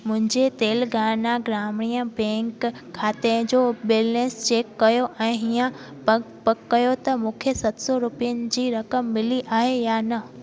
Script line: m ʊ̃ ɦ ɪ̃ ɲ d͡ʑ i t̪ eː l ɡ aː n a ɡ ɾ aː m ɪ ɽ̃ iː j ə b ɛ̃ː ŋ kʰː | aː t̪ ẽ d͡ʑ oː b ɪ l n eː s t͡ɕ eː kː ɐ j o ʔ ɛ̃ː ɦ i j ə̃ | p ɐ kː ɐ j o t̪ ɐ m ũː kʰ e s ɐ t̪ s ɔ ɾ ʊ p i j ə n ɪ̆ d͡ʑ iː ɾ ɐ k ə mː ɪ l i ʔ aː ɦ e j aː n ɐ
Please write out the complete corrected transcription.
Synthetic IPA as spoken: m ʊ̃ ɦ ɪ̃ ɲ d͡ʑ e t̪ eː l ɡ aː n a ɡ ɾ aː m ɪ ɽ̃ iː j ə b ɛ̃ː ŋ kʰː | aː t̪ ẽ d͡ʑ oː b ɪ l n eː s t͡ɕ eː kː ɐ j o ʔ ɛ̃ː ɦ i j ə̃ | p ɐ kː ɐ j o t̪ ɐ m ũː kʰ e s ɐ t̪ s ɔ ɾ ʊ p i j ə n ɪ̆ d͡ʑ iː ɾ ɐ k ə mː ɪ l i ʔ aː ɦ e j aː n ɐ